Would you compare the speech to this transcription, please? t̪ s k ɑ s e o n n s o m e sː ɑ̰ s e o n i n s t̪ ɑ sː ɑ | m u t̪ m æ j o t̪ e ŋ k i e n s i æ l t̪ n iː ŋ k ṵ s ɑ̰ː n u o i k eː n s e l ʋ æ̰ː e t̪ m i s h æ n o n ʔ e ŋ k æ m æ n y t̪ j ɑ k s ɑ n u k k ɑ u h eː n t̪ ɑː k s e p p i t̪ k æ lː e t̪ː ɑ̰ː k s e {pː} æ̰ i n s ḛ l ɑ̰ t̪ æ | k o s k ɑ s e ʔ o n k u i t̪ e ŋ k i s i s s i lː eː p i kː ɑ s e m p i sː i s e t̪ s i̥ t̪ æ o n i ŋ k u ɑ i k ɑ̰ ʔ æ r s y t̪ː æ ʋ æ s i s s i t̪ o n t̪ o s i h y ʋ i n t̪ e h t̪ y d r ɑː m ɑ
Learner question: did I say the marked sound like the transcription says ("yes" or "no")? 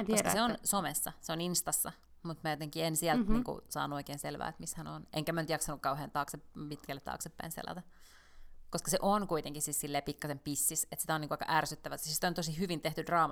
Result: yes